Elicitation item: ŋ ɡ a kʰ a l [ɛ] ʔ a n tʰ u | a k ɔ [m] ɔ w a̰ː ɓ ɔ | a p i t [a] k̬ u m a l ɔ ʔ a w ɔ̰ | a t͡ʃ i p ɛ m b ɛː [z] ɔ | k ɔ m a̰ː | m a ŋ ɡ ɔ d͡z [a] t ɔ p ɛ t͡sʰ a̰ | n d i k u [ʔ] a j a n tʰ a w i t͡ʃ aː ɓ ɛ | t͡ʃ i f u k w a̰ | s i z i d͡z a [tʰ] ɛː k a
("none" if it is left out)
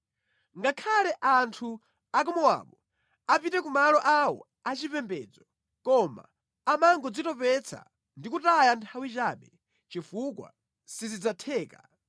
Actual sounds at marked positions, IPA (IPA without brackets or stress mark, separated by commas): ɛ, m, ɛ, d͡z, i, t, tʰ